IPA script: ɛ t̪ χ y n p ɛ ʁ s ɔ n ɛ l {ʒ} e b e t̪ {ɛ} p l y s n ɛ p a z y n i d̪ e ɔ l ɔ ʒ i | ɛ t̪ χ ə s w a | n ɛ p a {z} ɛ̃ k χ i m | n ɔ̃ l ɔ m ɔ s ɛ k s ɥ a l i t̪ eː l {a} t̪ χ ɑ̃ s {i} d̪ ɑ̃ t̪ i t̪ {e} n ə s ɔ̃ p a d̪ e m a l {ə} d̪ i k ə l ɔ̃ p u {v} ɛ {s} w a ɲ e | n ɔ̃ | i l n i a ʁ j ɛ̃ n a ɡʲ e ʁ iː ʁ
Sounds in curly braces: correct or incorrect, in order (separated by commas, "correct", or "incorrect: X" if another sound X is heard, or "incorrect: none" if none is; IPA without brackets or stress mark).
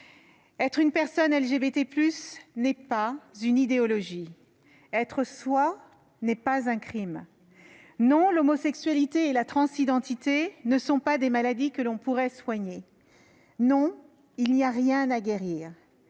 correct, incorrect: e, correct, correct, correct, correct, incorrect: a, incorrect: ʁ, correct